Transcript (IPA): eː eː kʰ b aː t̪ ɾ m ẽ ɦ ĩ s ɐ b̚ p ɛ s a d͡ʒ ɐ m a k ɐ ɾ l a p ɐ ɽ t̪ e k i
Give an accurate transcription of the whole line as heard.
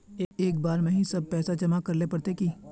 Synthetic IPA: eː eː k b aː ɾ m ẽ ɦ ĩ s ɐ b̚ p ɛː s a d͡ʒ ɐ m a k ɐ ɾ l e p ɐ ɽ t̪ e k i